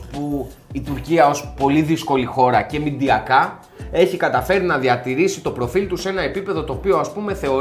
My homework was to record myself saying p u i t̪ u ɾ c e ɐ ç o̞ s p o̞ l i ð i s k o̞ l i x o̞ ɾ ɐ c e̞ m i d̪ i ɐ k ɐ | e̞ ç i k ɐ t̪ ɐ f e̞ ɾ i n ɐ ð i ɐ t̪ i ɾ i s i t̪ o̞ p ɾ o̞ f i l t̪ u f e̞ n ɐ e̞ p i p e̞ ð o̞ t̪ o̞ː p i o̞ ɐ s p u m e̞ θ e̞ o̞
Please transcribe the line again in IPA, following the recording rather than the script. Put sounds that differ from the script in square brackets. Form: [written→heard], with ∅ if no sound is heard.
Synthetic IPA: p u i t̪ u ɾ c [e→i] ɐ [ç→∅] o̞ s p o̞ l i ð i s k o̞ l i x o̞ ɾ ɐ c e̞ m i d̪ i ɐ k ɐ | e̞ ç i k ɐ t̪ ɐ f e̞ ɾ i n ɐ ð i ɐ t̪ i ɾ i s i t̪ o̞ p ɾ o̞ f i l t̪ u [f→s] e̞ n ɐ e̞ p i p e̞ ð o̞ t̪ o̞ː p i o̞ ɐ s p u m e̞ θ e̞ o̞